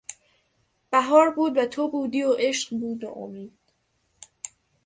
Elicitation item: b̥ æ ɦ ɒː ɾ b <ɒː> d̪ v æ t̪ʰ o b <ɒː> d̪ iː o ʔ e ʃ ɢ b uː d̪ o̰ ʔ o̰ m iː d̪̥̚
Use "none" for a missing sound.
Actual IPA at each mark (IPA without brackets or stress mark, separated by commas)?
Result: uː, uː